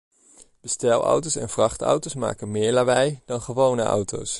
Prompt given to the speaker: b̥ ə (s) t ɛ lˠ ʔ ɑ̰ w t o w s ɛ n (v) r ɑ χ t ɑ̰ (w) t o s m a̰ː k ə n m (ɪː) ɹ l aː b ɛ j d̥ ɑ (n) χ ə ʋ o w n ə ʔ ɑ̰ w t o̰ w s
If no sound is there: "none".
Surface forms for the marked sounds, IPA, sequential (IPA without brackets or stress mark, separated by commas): s, v, w, ɪː, n